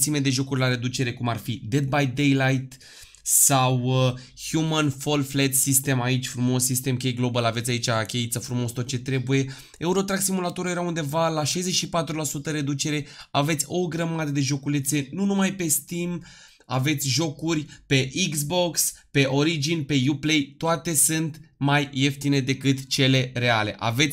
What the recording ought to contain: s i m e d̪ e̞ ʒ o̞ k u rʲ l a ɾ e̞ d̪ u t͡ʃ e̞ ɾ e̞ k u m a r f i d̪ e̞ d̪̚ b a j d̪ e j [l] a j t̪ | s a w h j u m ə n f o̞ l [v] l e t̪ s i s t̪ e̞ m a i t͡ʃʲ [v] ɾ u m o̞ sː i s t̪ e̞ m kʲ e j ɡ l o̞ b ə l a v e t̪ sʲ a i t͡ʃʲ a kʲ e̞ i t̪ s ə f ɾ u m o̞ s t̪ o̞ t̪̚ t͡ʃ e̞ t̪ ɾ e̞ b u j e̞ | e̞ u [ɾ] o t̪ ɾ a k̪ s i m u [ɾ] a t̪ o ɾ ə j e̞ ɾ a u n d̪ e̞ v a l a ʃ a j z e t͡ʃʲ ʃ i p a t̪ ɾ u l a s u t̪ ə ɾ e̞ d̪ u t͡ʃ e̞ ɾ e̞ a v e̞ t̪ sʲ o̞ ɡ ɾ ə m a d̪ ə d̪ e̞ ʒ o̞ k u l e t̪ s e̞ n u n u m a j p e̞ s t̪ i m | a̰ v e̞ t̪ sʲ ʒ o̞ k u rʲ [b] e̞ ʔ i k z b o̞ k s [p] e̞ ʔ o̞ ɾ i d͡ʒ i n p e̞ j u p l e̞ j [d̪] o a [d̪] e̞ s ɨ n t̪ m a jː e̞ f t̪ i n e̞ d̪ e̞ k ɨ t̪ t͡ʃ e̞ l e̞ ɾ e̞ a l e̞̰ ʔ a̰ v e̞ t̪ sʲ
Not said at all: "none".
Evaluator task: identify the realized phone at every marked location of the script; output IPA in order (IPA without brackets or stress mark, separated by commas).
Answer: l, f, f, ɾ, l, p, p, t̪, t̪